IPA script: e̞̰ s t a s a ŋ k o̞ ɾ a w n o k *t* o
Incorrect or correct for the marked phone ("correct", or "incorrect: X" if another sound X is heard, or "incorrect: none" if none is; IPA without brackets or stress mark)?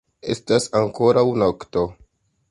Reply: correct